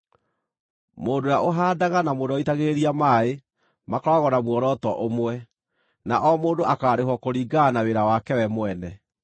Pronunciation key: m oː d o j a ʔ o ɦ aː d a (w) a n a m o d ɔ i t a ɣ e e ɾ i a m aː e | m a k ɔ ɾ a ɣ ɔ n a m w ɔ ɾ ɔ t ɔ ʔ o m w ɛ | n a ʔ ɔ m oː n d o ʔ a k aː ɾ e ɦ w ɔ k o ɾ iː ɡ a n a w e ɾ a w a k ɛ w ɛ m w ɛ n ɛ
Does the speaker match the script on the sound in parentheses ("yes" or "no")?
no